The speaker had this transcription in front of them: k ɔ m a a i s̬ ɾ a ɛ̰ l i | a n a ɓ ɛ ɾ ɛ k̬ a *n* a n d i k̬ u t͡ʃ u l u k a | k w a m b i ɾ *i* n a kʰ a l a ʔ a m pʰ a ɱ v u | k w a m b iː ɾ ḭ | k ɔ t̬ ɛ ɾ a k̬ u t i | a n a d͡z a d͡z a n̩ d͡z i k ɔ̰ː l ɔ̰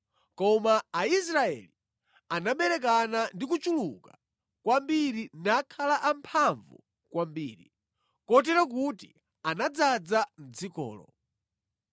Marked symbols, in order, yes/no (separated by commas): yes, yes